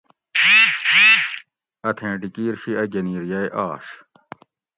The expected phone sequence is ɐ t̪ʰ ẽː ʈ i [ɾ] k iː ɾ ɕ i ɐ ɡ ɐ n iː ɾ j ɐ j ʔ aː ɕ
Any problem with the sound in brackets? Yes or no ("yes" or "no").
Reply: yes